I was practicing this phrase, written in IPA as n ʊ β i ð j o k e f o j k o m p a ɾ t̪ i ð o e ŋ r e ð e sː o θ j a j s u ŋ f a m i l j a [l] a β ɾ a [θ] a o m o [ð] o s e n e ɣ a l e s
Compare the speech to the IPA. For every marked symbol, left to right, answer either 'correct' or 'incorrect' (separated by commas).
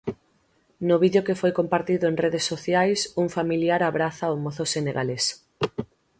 incorrect, correct, incorrect